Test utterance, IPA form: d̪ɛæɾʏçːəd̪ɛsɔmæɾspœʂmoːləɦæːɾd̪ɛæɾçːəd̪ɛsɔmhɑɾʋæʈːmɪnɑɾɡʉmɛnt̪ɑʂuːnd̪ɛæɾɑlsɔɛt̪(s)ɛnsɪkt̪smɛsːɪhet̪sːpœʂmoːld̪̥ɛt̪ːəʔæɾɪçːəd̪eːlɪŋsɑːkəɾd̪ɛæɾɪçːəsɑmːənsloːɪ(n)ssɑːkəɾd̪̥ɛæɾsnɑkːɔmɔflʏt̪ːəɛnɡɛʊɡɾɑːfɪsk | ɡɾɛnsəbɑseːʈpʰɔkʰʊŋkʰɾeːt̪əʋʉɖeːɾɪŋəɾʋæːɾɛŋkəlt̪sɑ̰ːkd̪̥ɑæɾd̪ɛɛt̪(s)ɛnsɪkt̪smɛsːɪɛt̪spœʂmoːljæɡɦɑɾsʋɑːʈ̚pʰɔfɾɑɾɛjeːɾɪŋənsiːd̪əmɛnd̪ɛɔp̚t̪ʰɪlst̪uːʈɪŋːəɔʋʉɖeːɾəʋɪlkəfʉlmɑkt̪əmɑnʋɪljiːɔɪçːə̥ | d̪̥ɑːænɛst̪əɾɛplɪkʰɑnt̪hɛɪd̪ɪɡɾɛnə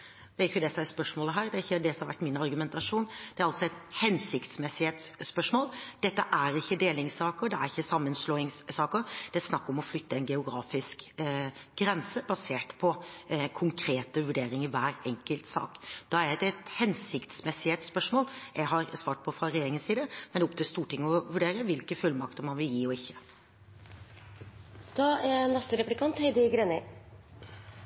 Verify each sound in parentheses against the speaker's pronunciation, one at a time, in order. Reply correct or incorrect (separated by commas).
incorrect, incorrect, incorrect